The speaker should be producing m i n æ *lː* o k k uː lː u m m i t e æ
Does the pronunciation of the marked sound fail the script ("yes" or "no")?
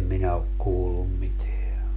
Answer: yes